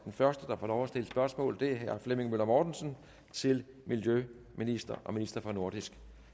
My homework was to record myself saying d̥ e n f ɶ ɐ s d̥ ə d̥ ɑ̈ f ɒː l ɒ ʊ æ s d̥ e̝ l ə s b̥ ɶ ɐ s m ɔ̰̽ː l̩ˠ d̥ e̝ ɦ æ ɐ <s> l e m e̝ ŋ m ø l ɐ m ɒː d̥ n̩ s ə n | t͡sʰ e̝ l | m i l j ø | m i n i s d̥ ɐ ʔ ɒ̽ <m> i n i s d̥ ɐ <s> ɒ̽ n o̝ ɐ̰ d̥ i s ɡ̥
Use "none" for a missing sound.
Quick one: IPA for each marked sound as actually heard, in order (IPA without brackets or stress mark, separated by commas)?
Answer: f, m, f